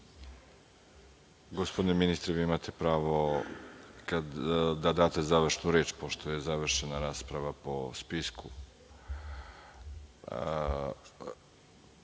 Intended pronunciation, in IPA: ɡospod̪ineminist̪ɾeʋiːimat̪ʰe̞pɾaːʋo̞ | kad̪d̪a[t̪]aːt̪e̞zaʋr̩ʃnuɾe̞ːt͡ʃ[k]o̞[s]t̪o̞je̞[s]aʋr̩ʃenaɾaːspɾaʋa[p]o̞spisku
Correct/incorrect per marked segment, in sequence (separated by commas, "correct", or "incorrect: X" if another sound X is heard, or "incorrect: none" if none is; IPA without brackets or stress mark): incorrect: d̪, incorrect: p, incorrect: ʃ, incorrect: z, correct